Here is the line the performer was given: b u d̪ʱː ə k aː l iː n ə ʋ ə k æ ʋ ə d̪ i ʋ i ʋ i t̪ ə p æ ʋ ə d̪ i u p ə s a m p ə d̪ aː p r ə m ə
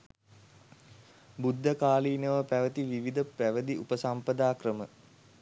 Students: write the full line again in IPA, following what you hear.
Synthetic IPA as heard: b u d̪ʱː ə k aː l iː n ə ʋ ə p æ ʋ ə t̪ i ʋ i ʋ i d̪ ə p æ ʋ ə d̪ i u p ə s a m p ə d̪ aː k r ə m ə